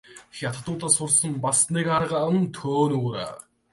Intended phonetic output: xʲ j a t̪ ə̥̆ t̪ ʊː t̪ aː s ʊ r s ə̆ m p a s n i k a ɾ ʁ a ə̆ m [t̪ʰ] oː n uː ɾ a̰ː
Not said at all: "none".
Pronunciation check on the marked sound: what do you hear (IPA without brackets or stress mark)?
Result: t̪ʰ